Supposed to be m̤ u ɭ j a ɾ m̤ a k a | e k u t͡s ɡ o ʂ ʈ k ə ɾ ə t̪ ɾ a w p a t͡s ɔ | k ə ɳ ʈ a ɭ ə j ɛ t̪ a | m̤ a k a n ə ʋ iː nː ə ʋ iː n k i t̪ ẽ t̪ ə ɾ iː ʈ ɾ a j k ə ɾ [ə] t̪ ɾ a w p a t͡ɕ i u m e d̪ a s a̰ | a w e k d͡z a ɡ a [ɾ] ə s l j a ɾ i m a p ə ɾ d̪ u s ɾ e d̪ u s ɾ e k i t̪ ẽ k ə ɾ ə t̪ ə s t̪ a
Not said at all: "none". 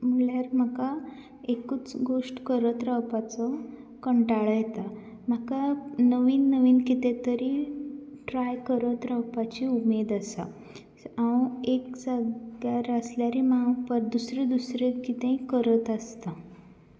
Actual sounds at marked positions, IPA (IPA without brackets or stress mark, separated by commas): ə, ɾ